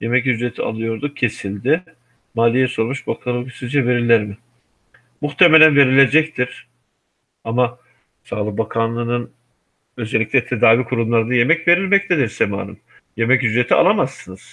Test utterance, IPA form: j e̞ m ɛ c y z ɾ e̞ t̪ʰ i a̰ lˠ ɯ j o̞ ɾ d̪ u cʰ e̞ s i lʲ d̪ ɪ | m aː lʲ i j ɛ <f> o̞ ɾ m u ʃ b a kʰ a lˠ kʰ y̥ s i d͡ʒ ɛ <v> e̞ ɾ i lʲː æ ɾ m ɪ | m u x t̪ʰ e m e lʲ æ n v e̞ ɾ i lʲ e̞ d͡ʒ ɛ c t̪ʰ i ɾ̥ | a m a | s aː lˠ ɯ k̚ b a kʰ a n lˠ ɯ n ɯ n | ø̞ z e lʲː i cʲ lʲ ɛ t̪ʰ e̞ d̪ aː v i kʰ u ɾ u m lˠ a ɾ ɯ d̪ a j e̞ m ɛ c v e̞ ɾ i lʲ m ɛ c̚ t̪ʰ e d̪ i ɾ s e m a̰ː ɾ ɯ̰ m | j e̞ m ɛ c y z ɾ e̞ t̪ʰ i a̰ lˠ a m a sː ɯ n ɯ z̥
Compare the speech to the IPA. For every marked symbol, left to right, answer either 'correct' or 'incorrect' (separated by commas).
incorrect, correct